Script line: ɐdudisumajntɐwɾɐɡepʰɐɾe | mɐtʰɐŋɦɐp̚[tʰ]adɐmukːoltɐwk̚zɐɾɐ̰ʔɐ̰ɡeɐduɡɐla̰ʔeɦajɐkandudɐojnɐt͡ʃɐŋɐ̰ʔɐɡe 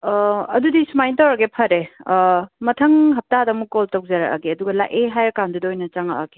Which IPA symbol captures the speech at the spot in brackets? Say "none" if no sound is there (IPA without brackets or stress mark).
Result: t